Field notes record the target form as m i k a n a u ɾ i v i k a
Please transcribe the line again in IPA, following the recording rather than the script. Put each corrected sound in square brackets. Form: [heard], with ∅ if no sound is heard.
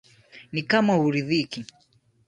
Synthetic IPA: [n] i k a [m] a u ɾ i [ð] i k [i]